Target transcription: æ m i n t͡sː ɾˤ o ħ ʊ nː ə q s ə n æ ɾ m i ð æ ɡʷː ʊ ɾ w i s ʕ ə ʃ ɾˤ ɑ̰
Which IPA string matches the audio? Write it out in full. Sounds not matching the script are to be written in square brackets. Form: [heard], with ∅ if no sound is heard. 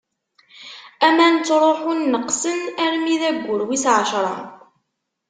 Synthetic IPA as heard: æ m [æ] n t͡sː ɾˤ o ħ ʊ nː ə q s ə n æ ɾ m i ð æ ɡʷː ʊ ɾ w i s ʕ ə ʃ ɾˤ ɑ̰

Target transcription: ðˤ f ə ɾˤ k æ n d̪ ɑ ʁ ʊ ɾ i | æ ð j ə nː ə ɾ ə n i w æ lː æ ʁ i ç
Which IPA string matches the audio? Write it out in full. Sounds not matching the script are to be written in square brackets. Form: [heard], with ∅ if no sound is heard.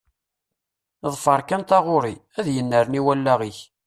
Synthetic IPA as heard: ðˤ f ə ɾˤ k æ n [t̪] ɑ ʁ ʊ ɾ i | æ ð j ə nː ə ɾ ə n i w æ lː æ ʁ i ç

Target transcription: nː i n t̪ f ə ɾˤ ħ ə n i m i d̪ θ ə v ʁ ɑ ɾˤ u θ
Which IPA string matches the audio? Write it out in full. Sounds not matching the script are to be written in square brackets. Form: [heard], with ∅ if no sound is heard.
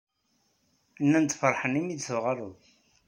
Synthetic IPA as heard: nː [æ] n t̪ f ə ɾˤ ħ ə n i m i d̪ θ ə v ʁ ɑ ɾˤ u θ

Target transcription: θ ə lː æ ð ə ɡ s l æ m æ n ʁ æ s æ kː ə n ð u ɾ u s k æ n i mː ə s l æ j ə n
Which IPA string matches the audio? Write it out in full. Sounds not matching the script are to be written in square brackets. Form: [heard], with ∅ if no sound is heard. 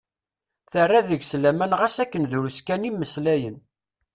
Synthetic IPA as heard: θ ə [rː] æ ð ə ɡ s l æ m æ n ʁ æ s æ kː ə n ð u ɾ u s k æ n i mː ə s l æ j ə n

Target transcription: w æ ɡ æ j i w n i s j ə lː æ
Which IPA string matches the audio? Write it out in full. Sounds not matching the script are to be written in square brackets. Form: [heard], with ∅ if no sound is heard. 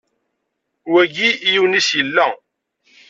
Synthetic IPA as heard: w æ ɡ [i] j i w n i s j ə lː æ

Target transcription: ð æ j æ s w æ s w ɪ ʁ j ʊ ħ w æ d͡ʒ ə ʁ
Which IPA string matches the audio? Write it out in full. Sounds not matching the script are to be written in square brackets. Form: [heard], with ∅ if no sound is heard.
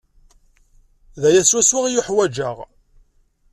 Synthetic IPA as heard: ð æ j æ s w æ s w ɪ ʁ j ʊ ħ w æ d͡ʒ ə ʁ

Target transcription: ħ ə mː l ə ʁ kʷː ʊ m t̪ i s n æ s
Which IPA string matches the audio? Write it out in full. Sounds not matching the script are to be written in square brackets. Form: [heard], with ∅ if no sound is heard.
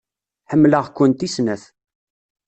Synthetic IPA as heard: ħ ə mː l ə ʁ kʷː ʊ [n] t̪ i s n æ [θ]

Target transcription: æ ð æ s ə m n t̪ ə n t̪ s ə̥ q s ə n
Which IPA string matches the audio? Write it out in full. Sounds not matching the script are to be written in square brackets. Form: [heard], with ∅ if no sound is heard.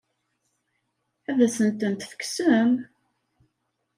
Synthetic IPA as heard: æ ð æ s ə [∅] n t̪ ə n t̪ [f] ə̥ [k] s ə [m]

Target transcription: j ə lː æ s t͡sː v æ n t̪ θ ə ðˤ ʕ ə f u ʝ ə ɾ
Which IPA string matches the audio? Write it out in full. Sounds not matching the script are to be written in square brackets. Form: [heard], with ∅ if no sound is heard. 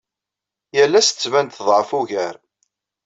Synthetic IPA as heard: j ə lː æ s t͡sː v æ n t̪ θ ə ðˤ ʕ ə f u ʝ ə ɾ

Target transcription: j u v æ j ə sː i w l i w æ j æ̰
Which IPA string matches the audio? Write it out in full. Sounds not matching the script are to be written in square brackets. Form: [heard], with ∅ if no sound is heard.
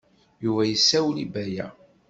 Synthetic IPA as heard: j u v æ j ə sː [æ] w l i [b] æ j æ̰

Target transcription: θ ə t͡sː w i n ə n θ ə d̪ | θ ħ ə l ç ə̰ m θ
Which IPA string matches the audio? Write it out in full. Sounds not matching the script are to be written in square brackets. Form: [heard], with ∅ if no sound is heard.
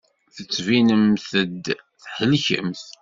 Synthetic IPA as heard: θ ə t͡sː [v] i n ə [m] θ ə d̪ | θ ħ ə l ç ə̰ m θ

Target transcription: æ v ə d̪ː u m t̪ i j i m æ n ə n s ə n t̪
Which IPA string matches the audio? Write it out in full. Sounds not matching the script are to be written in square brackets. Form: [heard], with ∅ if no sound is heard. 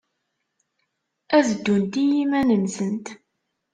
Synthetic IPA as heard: æ [z] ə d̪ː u [n] t̪ i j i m æ n ə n s ə n t̪

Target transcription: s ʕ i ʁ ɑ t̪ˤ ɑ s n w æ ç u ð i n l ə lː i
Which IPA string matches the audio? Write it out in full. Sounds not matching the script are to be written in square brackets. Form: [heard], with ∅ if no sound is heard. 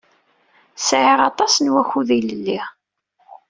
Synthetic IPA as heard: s ʕ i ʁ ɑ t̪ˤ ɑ s n w æ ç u ð i [∅] l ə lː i

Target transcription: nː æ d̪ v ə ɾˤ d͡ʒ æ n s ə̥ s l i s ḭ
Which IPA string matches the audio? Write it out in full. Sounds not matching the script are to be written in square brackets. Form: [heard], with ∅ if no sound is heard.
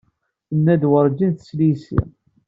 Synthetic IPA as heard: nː æ d̪ [w] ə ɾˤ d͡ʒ [i] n [θ] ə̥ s l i s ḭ

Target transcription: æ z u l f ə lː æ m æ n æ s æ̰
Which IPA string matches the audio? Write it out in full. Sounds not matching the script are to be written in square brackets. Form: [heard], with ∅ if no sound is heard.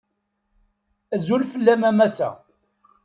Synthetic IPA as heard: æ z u l f ə lː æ m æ [m] æ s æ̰

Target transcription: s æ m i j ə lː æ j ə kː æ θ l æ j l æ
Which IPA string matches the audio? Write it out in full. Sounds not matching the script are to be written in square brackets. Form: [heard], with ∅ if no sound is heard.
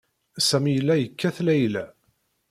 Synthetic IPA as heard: s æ m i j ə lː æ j ə kː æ θ l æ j l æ

